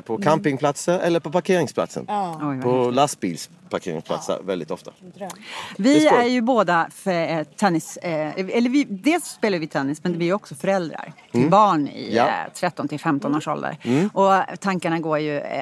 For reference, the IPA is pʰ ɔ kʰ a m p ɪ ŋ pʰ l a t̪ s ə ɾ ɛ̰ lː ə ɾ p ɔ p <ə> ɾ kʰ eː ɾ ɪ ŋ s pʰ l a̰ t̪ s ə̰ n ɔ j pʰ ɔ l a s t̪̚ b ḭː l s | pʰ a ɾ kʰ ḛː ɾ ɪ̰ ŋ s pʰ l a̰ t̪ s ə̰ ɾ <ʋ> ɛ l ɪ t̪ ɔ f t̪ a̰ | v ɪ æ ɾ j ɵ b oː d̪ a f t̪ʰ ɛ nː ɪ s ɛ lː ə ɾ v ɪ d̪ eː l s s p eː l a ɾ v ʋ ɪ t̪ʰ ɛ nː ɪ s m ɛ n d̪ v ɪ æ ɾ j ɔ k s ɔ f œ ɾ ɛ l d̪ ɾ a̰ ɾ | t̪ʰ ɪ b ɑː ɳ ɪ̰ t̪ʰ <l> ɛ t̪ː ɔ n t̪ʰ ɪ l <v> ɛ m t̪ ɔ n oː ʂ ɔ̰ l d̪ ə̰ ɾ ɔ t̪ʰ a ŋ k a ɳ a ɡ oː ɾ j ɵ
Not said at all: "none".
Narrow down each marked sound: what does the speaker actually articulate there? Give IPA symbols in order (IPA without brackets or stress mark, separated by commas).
a, v, ɾ, f